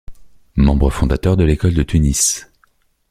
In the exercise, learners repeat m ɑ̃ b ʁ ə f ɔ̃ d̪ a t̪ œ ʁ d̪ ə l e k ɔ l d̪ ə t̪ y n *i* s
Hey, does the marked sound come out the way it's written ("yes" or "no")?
yes